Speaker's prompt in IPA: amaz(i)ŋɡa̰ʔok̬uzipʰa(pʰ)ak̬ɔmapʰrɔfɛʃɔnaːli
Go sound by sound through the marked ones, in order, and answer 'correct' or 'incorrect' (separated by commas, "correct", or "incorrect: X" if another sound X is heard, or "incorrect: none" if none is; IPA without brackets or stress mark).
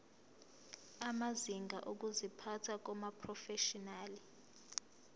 correct, incorrect: tʰ